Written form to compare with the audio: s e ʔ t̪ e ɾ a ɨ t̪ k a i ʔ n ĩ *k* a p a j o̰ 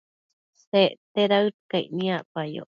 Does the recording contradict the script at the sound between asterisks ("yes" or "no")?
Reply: yes